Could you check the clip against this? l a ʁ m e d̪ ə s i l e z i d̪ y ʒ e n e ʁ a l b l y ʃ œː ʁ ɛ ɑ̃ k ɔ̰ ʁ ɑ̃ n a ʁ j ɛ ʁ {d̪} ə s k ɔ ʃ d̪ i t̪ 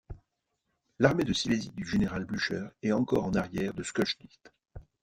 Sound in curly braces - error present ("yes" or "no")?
no